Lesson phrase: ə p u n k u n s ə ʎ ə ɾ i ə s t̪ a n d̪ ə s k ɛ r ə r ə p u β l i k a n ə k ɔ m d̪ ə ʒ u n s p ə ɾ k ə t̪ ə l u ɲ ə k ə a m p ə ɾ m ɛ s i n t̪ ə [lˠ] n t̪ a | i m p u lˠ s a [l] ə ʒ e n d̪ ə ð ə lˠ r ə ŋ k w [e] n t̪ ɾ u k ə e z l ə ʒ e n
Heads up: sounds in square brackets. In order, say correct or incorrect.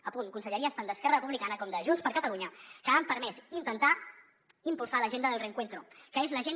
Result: incorrect: none, correct, correct

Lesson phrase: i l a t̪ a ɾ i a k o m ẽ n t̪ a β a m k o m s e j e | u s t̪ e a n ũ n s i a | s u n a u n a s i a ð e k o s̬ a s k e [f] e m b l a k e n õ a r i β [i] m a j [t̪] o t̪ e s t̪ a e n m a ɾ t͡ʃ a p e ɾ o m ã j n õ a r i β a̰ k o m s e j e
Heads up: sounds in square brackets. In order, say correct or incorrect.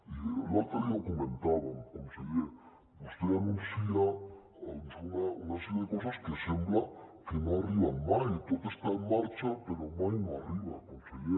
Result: incorrect: s, incorrect: a, correct

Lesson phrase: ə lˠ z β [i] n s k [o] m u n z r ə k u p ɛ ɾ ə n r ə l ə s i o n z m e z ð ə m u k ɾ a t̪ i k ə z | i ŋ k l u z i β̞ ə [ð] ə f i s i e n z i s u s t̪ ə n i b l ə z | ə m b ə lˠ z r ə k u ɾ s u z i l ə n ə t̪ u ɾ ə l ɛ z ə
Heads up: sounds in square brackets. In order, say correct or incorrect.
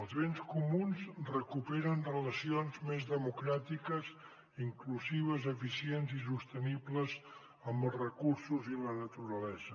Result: incorrect: e, incorrect: u, incorrect: z

